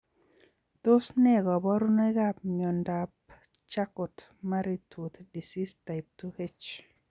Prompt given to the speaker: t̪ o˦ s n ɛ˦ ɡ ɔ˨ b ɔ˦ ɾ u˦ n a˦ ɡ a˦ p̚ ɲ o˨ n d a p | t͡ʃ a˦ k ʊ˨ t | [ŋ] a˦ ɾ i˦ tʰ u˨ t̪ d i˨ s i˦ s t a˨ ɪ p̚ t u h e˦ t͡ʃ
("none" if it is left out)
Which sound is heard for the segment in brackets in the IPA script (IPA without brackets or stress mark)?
m